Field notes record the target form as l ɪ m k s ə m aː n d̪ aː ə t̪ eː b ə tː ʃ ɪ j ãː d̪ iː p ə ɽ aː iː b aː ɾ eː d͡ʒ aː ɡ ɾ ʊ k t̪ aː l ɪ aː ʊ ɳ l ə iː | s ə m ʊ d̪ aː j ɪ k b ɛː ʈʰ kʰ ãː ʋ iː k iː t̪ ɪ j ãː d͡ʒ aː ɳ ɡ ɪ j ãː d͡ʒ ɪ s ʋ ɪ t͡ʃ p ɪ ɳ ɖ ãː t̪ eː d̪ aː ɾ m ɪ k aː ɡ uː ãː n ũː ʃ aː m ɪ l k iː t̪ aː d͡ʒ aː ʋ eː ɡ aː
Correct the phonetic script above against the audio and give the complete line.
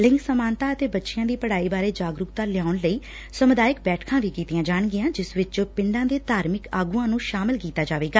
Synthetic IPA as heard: l ɪ ŋ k s ə m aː n t̪ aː ə t̪ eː b ə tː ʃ ɪ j ãː d̪ iː p ə ɽ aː iː b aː ɾ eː d͡ʒ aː ɡ ɾ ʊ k t̪ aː l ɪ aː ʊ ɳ l ə iː | s ə m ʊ d̪ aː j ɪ k b ɛː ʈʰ kʰ ãː ʋ iː k iː t̪ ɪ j ãː d͡ʒ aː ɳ ɡ ɪ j ãː d͡ʒ ɪ s ʋ ɪ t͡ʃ p ɪ ɳ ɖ ãː d̪ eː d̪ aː ɾ m ɪ k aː ɡ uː ãː n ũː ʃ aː m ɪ l k iː t̪ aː d͡ʒ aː ʋ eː ɡ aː